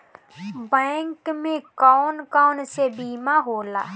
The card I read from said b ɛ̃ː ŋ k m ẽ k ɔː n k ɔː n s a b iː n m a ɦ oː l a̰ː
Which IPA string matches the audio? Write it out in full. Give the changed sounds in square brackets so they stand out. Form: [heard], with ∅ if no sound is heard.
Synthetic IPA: b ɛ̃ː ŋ k m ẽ k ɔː n k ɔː n s [e] b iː [∅] m a ɦ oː l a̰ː